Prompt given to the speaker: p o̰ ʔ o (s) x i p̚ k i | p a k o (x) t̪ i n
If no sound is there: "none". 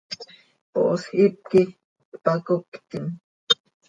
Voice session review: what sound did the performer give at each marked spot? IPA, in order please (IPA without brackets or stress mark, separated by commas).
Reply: s, k